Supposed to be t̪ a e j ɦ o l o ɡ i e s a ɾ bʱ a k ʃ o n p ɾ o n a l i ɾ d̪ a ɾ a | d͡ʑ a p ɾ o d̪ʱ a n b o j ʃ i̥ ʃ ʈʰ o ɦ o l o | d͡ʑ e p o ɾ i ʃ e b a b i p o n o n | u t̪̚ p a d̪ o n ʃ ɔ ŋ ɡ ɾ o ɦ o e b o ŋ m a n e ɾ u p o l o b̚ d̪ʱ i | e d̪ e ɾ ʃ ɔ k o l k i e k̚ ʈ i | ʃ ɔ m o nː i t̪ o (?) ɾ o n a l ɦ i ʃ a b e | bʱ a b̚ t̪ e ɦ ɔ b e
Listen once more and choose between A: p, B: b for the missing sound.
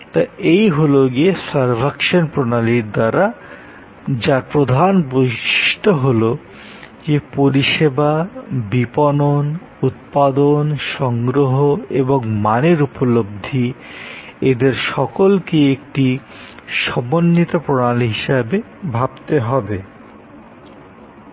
A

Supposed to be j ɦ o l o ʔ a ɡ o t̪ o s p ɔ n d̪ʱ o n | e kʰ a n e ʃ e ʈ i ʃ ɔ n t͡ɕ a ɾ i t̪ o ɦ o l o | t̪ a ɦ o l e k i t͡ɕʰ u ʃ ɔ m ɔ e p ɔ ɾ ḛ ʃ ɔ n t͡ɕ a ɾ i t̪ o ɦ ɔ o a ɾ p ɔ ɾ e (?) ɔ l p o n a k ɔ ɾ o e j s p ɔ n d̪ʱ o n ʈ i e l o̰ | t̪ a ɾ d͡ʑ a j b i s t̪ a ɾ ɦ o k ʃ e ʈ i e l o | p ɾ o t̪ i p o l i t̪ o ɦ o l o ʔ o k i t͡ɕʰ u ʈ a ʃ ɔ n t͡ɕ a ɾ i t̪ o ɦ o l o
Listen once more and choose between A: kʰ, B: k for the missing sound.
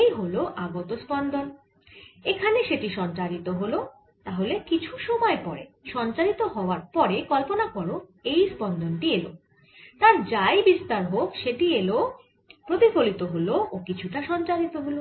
B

